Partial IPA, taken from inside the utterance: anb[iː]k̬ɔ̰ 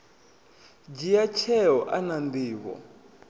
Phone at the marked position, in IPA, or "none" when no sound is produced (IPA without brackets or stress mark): iː